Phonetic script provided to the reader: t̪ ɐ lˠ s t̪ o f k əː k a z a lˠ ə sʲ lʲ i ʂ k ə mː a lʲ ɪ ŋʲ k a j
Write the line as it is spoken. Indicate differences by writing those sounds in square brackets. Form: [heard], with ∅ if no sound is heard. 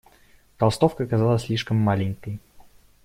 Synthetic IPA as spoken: t̪ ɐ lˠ s t̪ o f k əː k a z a lˠ ə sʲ lʲ i ʂ k ə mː a lʲ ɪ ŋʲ k [ə] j

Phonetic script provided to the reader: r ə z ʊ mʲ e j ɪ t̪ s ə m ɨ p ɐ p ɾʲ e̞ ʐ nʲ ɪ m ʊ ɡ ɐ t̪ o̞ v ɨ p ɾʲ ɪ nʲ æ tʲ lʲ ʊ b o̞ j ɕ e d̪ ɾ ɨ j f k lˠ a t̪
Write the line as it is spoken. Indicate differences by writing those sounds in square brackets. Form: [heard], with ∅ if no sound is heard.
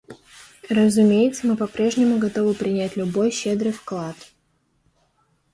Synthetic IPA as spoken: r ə z ʊ mʲ e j ɪ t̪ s ə m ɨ p ɐ p ɾʲ e̞ ʐ nʲ ɪ m ʊ ɡ ɐ t̪ o̞ v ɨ p ɾʲ ɪ nʲ æ tʲ lʲ ʊ b o̞ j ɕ e d̪ ɾ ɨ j f k lˠ a t̪

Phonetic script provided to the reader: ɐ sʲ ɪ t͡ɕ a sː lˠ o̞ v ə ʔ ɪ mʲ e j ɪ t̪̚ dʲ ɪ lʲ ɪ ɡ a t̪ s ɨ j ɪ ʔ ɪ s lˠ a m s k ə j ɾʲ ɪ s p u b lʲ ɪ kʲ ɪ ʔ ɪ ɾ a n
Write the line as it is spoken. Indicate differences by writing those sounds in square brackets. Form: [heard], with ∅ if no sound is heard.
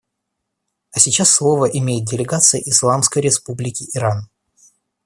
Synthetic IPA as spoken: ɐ sʲ ɪ t͡ɕ a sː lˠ o̞ v ə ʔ ɪ mʲ e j ɪ t̪̚ dʲ ɪ lʲ ɪ ɡ a t̪ s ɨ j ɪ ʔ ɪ s lˠ a m s k ə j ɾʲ ɪ s p u b lʲ ɪ kʲ ɪ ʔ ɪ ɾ a n

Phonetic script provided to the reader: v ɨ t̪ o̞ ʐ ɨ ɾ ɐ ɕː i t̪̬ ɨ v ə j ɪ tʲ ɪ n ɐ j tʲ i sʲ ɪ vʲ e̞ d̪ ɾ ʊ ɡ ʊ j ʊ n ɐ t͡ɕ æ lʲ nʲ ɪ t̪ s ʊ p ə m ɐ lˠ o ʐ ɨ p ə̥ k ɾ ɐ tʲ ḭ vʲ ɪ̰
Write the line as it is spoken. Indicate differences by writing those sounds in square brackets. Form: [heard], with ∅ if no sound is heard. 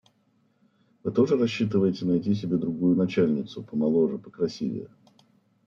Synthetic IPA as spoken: v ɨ t̪ o̞ ʐ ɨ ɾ ɐ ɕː i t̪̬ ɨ v ə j ɪ tʲ ɪ n ɐ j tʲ i sʲ ɪ [bʲ] e̞ d̪ ɾ ʊ ɡ [u] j ʊ n ɐ t͡ɕ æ lʲ nʲ ɪ t̪ s ʊ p ə m ɐ lˠ o ʐ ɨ p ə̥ k ɾ ɐ [sʲ] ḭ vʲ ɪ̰

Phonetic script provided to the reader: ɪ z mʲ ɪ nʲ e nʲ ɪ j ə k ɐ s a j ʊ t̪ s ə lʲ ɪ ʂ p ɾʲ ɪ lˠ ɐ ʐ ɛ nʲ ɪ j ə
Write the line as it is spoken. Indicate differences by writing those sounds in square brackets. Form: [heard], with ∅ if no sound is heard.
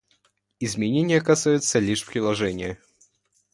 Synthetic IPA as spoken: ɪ z mʲ ɪ nʲ e nʲ ɪ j ə k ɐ s a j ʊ t̪ s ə lʲ [i] ʂ p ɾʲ ɪ lˠ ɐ ʐ ɛ nʲ ɪ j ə

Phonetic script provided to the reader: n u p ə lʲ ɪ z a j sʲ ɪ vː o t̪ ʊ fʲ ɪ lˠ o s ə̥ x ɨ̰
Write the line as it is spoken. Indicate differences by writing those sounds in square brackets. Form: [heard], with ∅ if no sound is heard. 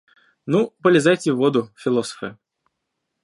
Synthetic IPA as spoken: n u p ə lʲ ɪ z a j [tʲ] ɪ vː o [d̪] ʊ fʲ ɪ lˠ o s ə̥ [f] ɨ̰

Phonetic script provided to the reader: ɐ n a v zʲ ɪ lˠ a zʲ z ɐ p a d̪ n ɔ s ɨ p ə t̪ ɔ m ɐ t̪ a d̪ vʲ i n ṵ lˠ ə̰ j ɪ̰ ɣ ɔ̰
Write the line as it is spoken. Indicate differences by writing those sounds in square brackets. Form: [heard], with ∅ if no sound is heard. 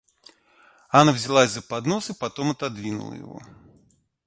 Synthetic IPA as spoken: [a] n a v zʲ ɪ lˠ a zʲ z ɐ p a d̪ n ɔ s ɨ p [a] t̪ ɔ m ɐ t̪ a d̪ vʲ i n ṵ lˠ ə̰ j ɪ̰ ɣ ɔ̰

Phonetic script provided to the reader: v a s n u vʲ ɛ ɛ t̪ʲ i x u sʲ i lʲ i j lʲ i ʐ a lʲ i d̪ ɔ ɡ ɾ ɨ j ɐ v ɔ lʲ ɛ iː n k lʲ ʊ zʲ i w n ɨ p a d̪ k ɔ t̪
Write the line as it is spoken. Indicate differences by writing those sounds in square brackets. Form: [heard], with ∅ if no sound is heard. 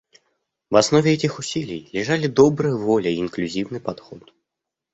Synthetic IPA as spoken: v a s n [ɔ] vʲ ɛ ɛ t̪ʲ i x u sʲ i lʲ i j lʲ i ʐ a lʲ i d̪ ɔ [b] ɾ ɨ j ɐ v ɔ lʲ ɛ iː n k lʲ [u] zʲ i w n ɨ p a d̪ [x] ɔ t̪

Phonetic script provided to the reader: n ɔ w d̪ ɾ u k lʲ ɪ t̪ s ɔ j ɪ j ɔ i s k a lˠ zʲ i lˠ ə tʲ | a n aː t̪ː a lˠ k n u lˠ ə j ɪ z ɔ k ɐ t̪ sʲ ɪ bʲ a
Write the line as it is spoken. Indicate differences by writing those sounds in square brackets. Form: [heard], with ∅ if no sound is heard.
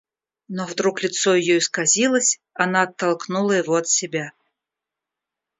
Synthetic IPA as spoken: n ɔ [v] d̪ ɾ u k lʲ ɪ t̪ s ɔ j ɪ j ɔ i s k a [∅] zʲ i lˠ ə [sʲ] | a n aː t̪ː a lˠ k n u lˠ ə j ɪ [v] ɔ [∅] ɐ t̪ sʲ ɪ bʲ a

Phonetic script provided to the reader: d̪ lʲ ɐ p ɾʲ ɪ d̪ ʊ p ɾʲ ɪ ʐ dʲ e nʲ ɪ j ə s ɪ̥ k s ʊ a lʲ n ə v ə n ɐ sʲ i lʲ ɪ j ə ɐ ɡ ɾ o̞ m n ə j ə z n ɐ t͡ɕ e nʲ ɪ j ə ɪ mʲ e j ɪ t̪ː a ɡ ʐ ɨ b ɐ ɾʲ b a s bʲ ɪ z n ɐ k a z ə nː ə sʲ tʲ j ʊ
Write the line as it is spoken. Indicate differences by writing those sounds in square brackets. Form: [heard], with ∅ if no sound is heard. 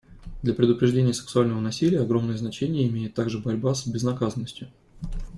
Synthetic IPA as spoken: d̪ lʲ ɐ p ɾʲ ɪ d̪ ʊ p ɾʲ ɪ ʐ dʲ e nʲ ɪ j ə s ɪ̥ k s ʊ a lʲ n ə v ə n ɐ sʲ i lʲ ɪ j ə ɐ ɡ ɾ o̞ m n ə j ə z n ɐ t͡ɕ e nʲ ɪ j ə ɪ mʲ e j ɪ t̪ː a ɡ ʐ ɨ b ɐ ɾʲ b a s bʲ ɪ z n ɐ k a z ə nː ə sʲ tʲ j ʊ

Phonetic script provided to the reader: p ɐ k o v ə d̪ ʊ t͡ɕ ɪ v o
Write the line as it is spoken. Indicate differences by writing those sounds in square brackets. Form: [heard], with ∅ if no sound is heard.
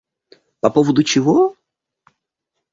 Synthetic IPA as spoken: p ɐ [p] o v ə d̪ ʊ t͡ɕ ɪ v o

